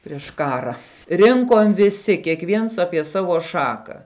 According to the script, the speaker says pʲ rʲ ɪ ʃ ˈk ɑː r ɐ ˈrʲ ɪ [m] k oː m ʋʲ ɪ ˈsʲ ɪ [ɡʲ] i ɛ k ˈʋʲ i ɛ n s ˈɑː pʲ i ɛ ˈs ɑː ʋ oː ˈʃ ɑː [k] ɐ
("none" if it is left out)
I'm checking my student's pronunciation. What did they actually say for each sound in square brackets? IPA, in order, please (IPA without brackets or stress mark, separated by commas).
ŋ, kʲ, k